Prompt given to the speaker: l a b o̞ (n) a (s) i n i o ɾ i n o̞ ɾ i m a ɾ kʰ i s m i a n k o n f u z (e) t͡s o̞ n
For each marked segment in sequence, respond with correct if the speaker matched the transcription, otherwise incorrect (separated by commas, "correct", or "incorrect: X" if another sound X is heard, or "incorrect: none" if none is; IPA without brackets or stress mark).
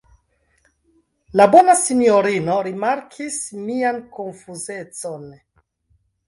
correct, correct, correct